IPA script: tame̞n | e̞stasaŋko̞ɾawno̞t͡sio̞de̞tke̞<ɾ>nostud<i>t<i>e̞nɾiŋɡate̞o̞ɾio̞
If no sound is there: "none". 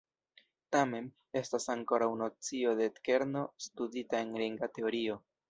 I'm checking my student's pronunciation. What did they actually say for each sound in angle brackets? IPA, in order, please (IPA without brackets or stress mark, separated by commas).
ɾ, i, a